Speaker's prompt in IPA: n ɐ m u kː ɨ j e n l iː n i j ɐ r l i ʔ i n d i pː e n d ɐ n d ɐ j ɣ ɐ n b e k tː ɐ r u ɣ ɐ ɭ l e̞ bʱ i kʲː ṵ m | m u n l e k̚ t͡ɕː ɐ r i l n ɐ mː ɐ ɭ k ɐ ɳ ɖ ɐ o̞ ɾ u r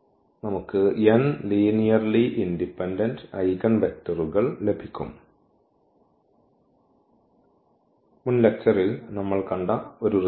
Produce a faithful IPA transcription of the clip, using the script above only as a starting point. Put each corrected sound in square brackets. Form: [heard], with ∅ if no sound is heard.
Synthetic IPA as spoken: n ɐ m u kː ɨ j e n l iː n i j ɐ r l i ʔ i n d i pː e n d ɐ n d ɐ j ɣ ɐ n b e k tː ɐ r u ɣ ɐ ɭ l e̞ bʱ i kʲː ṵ m | m u n l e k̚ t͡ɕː ɐ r i l n ɐ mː ɐ ɭ k ɐ ɳ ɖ ɐ o̞ ɾ u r